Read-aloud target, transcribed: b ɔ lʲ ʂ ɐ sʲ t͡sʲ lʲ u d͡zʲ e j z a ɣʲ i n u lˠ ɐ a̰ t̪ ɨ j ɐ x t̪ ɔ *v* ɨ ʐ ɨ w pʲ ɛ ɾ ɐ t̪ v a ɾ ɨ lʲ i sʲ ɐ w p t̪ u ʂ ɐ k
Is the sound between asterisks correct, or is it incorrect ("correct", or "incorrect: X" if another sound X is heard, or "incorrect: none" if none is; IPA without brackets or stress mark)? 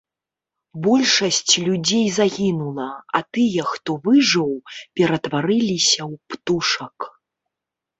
correct